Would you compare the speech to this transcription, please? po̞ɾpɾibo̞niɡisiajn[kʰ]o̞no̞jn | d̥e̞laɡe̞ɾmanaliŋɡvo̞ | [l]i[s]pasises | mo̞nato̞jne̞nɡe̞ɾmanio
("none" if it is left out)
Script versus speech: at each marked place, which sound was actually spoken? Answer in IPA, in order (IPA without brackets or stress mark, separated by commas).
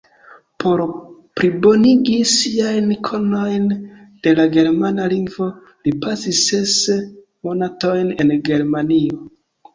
kʰ, l, none